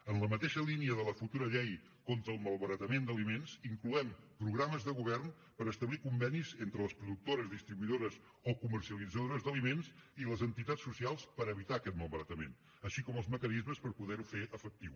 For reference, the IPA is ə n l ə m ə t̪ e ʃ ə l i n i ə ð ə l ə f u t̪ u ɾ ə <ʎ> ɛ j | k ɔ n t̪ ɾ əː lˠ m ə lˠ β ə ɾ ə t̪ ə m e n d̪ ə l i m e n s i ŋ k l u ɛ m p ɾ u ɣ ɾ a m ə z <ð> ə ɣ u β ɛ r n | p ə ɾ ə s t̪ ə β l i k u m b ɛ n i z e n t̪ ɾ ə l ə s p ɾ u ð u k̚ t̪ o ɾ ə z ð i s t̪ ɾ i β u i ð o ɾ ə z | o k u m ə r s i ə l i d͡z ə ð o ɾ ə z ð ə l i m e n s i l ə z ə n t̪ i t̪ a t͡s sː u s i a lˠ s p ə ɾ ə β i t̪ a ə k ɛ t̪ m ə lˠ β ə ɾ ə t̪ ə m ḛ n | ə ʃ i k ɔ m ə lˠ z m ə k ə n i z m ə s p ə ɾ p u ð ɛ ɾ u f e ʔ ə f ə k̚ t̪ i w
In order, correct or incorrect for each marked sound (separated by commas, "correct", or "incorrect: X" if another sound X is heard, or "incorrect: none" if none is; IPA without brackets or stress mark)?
correct, correct